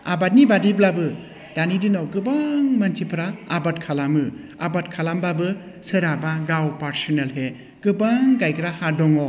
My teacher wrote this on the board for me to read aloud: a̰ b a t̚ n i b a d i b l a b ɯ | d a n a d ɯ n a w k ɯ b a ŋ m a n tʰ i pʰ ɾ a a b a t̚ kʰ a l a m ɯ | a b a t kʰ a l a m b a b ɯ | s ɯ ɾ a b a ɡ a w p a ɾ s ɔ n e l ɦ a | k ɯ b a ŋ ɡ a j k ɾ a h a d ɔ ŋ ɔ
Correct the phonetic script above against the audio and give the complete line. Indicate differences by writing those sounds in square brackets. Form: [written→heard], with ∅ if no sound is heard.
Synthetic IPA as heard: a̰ b a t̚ n i b a d i b l a b ɯ | d a n [a→i] d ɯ n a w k ɯ b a ŋ m a n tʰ i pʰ ɾ a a b a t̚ kʰ a l a m ɯ | a b a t kʰ a l a m b a b ɯ | s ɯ ɾ a b a ɡ a w p a ɾ s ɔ n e l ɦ [a→e] | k ɯ b a ŋ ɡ a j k ɾ a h a d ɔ ŋ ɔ